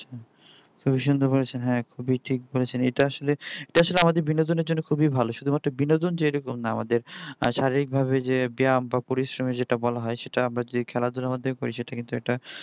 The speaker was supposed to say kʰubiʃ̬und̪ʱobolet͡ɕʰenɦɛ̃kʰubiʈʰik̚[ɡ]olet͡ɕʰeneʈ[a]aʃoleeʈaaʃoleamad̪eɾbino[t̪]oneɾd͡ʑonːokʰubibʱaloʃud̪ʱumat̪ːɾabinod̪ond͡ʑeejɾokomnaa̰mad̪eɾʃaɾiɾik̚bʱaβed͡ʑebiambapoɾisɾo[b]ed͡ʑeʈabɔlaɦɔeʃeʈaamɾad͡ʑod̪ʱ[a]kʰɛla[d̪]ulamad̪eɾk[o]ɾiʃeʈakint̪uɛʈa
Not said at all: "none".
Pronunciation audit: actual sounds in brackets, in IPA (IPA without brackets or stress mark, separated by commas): b, a, d̪, m, i, d̪, o